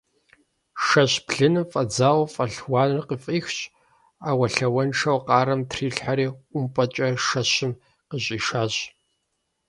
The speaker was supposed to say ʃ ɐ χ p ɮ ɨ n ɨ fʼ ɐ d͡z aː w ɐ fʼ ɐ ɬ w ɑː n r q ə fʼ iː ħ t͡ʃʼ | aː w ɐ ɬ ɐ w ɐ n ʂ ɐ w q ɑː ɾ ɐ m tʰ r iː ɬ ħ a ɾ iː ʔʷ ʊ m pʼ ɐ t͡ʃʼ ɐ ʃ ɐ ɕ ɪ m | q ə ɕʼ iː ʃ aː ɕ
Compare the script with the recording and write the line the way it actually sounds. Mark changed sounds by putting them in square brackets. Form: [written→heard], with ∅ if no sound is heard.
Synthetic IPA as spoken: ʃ ɐ [χ→ɕ] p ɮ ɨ n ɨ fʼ ɐ d͡z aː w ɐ fʼ ɐ ɬ w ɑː n r q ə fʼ iː [ħ→x] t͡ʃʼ | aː w ɐ ɬ ɐ w ɐ n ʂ ɐ w q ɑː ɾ ɐ m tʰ r iː ɬ ħ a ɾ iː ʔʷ ʊ m pʼ ɐ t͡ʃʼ ɐ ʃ ɐ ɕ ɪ m | q ə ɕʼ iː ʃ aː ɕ

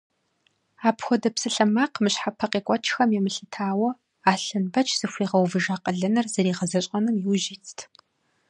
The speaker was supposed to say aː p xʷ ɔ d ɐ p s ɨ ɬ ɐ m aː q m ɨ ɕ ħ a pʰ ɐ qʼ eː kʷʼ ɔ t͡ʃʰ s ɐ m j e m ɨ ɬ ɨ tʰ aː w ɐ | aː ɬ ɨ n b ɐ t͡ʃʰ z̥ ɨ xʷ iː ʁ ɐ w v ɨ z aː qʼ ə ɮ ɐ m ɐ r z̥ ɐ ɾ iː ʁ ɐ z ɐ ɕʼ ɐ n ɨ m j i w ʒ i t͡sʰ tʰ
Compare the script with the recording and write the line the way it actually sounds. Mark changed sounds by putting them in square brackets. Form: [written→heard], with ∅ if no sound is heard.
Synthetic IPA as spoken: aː p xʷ ɔ d ɐ p s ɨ ɬ ɐ m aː q m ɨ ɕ ħ a pʰ ɐ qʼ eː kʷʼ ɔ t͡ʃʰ [s→x] ɐ m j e m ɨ ɬ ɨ tʰ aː w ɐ | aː ɬ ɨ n b ɐ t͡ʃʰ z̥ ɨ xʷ iː ʁ ɐ w v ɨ [z→ʒ] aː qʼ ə ɮ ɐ [m→n] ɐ r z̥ ɐ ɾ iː ʁ ɐ z ɐ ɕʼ ɐ n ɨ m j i w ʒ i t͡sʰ tʰ

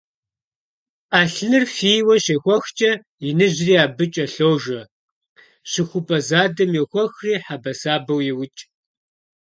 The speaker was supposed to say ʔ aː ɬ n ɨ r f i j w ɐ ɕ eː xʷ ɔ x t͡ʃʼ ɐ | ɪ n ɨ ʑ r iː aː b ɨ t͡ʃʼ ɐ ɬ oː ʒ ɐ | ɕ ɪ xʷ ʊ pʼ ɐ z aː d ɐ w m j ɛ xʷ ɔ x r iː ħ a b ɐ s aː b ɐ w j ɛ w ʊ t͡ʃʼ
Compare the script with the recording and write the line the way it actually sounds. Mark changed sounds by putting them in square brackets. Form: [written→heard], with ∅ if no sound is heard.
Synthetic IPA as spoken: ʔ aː ɬ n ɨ r f i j w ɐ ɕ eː xʷ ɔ x t͡ʃʼ ɐ | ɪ n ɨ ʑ r iː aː b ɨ t͡ʃʼ ɐ ɬ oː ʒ ɐ | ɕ ɪ xʷ ʊ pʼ ɐ z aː d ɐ [w→∅] m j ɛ xʷ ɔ x r iː ħ a b ɐ s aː b ɐ w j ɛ w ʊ t͡ʃʼ

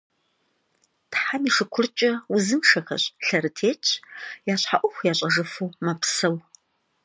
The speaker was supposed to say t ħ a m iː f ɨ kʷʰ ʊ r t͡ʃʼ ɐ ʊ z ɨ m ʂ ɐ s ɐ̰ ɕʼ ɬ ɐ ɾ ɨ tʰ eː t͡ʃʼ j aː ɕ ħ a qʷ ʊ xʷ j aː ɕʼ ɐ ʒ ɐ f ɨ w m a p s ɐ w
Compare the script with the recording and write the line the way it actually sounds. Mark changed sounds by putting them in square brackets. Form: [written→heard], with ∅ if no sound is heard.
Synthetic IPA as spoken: t ħ a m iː [f→ʂ] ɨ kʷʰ ʊ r t͡ʃʼ ɐ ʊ z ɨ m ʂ ɐ [s→x] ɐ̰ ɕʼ ɬ ɐ ɾ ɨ tʰ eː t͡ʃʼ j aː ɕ ħ a [qʷ→ʔʷ] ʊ xʷ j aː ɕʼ ɐ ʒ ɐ f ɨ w m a p s ɐ w

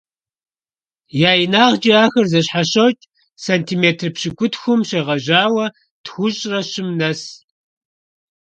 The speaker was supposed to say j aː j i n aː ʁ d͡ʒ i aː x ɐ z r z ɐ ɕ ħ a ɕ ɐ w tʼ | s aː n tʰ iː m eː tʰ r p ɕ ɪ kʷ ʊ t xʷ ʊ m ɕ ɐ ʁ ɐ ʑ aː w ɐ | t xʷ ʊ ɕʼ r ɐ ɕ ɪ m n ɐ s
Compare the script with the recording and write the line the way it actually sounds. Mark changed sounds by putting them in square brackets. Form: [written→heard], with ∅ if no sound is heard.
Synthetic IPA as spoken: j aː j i n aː ʁ d͡ʒ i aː x ɐ [z→∅] r z ɐ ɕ ħ a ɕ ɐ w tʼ | s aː n tʰ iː m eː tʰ r p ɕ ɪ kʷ ʊ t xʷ ʊ m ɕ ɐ ʁ ɐ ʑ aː w ɐ | t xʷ ʊ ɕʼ r ɐ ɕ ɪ m n ɐ s

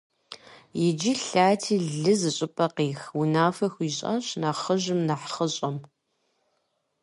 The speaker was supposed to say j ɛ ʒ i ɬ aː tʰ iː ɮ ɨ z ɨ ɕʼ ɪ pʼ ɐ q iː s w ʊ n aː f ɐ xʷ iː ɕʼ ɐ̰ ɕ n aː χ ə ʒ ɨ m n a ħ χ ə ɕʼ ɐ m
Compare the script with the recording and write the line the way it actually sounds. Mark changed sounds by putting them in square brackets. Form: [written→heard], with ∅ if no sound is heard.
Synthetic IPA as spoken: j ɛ [ʒ→d͡ʒ] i ɬ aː tʰ iː ɮ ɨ z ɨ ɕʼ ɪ pʼ ɐ q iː [s→x] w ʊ n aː f ɐ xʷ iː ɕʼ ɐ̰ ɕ n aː χ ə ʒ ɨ m n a ħ χ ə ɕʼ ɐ m

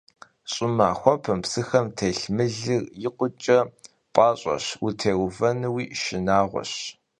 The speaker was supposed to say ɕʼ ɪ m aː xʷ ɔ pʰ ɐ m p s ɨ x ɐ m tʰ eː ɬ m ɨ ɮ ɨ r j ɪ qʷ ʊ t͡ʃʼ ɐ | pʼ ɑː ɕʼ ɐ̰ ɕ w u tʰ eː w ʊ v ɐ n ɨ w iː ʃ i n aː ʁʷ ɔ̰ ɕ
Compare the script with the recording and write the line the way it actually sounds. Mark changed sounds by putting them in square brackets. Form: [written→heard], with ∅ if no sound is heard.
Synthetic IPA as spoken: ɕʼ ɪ m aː xʷ ɔ pʰ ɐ m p s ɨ x ɐ m tʰ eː ɬ m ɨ ɮ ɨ r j ɪ qʷ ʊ t͡ʃʼ ɐ | pʼ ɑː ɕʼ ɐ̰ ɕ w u tʰ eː w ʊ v ɐ n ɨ w iː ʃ [i→ɪ] n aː ʁʷ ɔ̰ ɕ

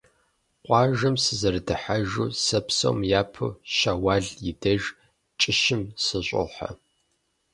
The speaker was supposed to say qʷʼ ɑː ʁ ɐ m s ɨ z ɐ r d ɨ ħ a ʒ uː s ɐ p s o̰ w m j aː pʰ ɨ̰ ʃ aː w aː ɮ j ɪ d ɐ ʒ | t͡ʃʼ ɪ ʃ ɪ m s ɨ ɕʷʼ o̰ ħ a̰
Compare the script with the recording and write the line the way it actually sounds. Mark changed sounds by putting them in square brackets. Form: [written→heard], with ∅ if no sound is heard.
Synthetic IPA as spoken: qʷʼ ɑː [ʁ→ʒ] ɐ m s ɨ z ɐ r d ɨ ħ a ʒ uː s ɐ p s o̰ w m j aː pʰ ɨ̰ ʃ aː w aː ɮ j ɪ d ɐ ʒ | t͡ʃʼ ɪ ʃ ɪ m s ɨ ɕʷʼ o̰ ħ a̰

